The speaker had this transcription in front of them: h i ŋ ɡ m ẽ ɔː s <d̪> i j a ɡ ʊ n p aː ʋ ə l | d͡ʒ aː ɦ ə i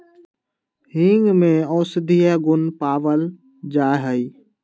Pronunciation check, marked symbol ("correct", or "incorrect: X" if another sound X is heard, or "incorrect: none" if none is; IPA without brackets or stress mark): correct